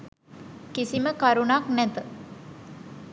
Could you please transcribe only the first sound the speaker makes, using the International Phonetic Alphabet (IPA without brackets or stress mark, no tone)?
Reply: k